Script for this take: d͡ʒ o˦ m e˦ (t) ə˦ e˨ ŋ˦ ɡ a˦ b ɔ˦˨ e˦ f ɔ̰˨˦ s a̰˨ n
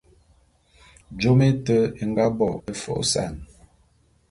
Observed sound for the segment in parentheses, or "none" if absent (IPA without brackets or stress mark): t